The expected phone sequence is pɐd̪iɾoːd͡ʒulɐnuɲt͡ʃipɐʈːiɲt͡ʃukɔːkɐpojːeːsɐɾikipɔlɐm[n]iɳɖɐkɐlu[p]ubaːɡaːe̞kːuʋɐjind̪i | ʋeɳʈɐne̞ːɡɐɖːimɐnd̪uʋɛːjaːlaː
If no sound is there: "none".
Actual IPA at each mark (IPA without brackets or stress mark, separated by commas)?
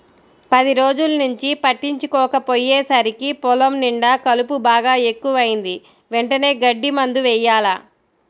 n, p